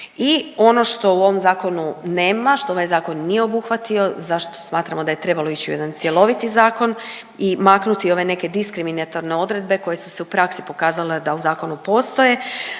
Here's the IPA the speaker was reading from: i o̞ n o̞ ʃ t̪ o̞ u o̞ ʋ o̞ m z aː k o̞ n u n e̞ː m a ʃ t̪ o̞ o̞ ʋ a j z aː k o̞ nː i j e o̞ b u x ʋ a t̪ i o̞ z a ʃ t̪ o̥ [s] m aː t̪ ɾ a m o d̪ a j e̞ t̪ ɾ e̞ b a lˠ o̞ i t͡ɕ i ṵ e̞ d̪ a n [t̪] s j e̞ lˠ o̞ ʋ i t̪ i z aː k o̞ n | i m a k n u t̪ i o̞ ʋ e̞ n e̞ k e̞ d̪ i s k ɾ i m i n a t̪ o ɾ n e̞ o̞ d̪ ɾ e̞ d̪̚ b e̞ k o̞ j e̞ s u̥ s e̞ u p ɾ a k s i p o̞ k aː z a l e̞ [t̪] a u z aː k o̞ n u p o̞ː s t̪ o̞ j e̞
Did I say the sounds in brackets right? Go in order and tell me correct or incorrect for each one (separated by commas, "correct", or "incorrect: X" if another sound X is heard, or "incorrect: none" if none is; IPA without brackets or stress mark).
correct, correct, incorrect: d̪